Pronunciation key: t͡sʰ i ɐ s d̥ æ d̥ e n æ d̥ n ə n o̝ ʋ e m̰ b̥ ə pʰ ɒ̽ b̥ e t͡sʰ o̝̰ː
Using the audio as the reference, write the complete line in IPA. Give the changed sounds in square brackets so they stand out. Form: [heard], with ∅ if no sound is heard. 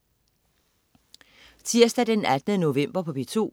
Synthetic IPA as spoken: t͡sʰ i ɐ s d̥ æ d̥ e n æ d̥ n ə n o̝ ʋ e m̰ b̥ [ɐ] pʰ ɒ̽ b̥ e t͡sʰ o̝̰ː